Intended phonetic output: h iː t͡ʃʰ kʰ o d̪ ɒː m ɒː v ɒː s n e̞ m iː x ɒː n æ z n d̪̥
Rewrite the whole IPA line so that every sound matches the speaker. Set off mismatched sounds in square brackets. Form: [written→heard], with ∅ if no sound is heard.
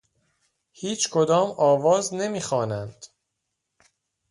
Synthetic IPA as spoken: h iː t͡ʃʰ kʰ o d̪ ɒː m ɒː v ɒː [s→z] n e̞ m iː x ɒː n æ [z→∅] n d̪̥